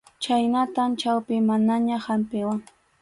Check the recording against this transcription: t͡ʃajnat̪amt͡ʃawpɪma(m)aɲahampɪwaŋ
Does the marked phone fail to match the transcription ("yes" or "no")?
yes